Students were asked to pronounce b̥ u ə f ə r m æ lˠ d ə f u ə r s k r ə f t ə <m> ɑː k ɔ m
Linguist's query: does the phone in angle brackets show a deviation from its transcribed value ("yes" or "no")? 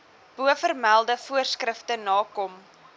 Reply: yes